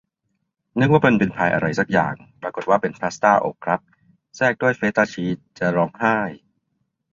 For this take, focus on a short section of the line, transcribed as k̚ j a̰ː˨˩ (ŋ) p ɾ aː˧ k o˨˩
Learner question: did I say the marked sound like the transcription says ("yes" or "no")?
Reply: yes